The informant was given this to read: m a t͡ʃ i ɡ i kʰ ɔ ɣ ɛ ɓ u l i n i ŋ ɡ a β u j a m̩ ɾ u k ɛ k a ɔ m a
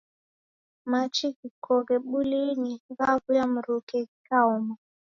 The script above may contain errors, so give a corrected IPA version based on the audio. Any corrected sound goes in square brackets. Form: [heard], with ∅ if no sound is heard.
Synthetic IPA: m a t͡ʃ i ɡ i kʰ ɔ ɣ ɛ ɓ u l i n i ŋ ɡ a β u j a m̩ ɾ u k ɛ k a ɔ m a